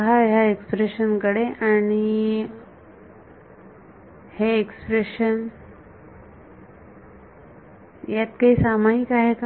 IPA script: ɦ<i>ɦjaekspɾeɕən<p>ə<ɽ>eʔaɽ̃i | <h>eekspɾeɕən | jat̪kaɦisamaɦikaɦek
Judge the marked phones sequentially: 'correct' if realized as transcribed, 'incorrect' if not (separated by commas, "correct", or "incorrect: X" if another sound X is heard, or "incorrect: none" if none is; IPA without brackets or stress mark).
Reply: incorrect: a, incorrect: k, correct, correct